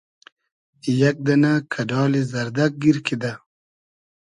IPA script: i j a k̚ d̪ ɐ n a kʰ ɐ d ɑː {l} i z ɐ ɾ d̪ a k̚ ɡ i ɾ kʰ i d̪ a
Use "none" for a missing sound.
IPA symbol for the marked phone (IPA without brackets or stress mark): l